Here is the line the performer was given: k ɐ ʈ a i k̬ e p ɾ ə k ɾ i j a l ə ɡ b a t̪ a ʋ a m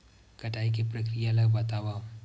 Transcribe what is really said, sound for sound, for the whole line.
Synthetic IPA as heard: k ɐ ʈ a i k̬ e p ɾ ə k ɾ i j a l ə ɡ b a t̪ a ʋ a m